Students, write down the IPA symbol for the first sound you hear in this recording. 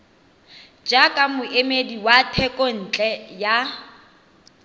d͡ʒ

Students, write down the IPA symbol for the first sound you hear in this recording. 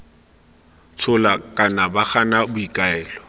t͡sʰ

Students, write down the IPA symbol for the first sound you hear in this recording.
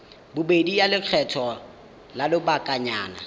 b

